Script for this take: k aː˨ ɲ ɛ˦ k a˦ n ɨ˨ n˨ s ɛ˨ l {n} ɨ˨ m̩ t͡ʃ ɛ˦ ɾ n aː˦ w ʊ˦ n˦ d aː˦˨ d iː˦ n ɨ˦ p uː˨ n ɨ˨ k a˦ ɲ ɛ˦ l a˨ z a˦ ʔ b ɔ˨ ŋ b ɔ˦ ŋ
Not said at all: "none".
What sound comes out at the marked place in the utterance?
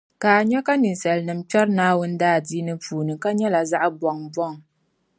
n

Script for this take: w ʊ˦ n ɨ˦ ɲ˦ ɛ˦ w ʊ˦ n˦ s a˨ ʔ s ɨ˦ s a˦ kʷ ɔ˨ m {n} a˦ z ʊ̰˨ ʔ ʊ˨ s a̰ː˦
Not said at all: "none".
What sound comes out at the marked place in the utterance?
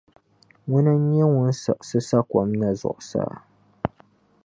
n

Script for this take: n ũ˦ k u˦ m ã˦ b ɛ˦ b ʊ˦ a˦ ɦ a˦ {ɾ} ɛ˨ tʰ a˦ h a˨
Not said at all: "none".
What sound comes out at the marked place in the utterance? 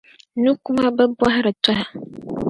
ɾ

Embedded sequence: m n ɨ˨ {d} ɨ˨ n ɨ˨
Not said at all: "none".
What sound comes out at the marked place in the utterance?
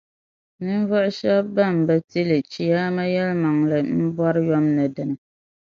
d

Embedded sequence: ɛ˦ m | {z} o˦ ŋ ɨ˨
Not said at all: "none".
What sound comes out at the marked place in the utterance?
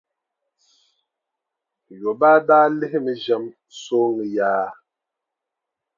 s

